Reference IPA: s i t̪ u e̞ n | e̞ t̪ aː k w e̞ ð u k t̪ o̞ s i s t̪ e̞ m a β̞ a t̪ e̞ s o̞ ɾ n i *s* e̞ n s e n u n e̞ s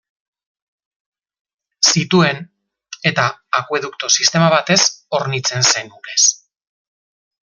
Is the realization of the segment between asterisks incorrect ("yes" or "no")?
yes